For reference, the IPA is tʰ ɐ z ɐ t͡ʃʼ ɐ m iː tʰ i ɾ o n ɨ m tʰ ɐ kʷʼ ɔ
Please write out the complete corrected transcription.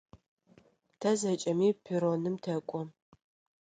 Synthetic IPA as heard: tʰ ɐ z ɐ t͡ʃʼ ɐ m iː pʰ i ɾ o n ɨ m tʰ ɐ kʷʼ ɔ